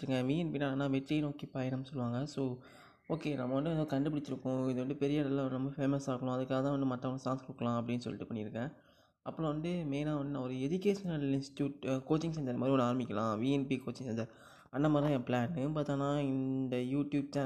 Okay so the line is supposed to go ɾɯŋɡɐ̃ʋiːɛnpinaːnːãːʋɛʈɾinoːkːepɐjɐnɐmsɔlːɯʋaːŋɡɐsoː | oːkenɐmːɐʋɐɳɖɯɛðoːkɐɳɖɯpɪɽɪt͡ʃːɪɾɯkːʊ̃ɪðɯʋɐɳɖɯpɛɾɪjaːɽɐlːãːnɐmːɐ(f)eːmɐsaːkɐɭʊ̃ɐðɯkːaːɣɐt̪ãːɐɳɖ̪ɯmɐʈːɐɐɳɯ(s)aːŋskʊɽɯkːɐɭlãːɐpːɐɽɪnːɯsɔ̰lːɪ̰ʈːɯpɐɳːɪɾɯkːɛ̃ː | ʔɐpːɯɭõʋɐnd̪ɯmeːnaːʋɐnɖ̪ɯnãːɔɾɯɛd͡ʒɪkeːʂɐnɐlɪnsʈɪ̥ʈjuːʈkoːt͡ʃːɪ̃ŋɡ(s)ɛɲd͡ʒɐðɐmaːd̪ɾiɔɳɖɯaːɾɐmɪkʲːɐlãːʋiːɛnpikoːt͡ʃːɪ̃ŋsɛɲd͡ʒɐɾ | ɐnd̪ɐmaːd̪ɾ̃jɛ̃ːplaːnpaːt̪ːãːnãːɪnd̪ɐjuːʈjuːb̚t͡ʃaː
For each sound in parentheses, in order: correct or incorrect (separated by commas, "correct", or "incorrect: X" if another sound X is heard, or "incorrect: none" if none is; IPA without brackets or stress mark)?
correct, correct, correct